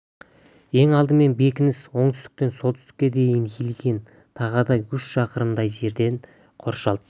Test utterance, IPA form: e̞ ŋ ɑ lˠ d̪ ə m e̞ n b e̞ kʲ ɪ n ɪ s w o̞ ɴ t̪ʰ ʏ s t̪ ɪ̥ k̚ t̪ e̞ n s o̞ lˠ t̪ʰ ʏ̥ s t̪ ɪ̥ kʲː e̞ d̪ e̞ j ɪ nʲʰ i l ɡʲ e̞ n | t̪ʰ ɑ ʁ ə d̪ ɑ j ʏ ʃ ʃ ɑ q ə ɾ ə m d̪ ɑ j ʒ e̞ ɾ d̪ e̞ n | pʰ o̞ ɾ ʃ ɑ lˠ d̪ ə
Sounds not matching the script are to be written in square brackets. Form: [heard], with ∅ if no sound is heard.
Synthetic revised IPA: e̞ ŋ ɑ lˠ d̪ ə m e̞ n b e̞ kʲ ɪ n ɪ s w o̞ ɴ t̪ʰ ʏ s t̪ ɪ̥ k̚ t̪ e̞ n s o̞ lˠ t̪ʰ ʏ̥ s t̪ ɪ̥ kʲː e̞ d̪ e̞ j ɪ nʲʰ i l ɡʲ e̞ n | t̪ʰ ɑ ʁ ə d̪ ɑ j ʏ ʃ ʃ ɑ q ə ɾ ə m d̪ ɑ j ʒ e̞ ɾ d̪ e̞ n | [qʰ] o̞ ɾ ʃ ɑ lˠ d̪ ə

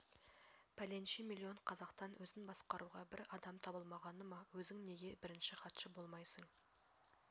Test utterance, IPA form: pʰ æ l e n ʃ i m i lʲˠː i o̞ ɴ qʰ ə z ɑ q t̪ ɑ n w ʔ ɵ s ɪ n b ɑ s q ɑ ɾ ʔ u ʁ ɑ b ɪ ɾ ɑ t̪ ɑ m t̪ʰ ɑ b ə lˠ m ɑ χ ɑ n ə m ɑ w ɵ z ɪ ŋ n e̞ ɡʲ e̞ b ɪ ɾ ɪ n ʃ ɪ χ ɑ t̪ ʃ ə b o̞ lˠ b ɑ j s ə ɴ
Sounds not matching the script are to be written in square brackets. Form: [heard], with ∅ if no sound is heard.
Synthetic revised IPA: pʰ æ l e n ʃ i m i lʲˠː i o̞ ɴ qʰ [ɑ] z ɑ q t̪ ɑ n w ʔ ɵ [z] ɪ n b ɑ s q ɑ ɾ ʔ u ʁ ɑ b ɪ ɾ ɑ [d̪] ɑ m t̪ʰ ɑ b ə lˠ m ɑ [ʁ] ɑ n ə m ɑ w ɵ z ɪ ŋ n e̞ ɡʲ e̞ b ɪ ɾ ɪ n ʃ ɪ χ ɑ t̪ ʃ ə b o̞ lˠ [m] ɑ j s ə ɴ

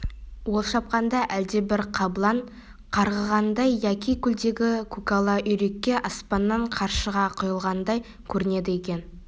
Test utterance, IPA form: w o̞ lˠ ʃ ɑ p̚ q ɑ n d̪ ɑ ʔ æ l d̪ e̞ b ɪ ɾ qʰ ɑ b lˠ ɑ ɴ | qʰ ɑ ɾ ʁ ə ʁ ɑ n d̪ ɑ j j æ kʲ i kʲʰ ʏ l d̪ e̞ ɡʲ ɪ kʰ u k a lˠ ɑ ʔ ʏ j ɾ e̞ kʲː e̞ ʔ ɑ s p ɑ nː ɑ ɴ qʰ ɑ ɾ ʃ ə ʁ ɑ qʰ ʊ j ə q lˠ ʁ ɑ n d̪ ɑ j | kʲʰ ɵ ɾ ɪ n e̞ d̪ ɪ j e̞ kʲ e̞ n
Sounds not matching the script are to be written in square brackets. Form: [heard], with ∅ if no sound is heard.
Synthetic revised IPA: w o̞ lˠ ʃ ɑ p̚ q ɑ n d̪ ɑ ʔ æ l d̪ e̞ b ɪ ɾ qʰ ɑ b lˠ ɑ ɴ | qʰ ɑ ɾ ʁ ə ʁ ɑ n d̪ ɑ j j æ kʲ i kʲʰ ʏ l d̪ e̞ ɡʲ ɪ kʰ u k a lˠ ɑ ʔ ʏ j ɾ e̞ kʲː e̞ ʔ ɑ s p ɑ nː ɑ ɴ qʰ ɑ ɾ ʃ ə ʁ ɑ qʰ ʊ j ə [∅] lˠ ʁ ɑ n d̪ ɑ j | kʲʰ ɵ ɾ ɪ n e̞ d̪ ɪ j e̞ kʲ e̞ n

